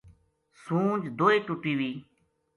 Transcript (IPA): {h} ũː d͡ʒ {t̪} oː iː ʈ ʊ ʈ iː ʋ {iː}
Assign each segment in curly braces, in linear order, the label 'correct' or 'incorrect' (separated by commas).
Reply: incorrect, incorrect, correct